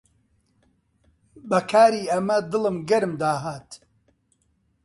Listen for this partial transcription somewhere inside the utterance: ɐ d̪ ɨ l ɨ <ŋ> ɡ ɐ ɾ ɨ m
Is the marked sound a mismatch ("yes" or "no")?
yes